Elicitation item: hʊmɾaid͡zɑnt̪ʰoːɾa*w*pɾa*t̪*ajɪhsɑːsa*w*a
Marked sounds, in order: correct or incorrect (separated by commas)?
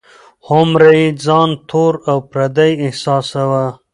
correct, incorrect, correct